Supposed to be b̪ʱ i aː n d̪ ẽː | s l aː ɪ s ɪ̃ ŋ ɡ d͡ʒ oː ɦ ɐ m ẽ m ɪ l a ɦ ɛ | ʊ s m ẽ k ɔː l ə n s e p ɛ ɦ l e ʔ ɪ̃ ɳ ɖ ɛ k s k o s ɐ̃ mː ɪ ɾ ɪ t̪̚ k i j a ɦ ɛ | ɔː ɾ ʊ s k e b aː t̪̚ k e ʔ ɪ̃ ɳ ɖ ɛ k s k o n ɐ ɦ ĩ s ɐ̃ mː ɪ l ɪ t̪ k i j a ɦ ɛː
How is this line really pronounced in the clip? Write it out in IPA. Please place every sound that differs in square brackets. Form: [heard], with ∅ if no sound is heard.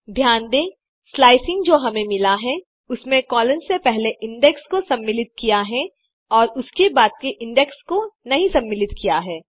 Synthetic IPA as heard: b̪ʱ [j] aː n d̪ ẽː | s l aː ɪ s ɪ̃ ŋ ɡ d͡ʒ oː ɦ ɐ m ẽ m ɪ l a ɦ ɛ | ʊ s m ẽ k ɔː l ə n s e p ɛ ɦ l e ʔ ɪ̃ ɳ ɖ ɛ k s k o s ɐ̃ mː ɪ [l] ɪ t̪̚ k i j a ɦ ɛ | ɔː ɾ ʊ s k e b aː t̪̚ k e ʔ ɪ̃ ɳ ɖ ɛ k s k o n ɐ ɦ ĩ s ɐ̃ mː ɪ l ɪ t̪ k i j a ɦ ɛː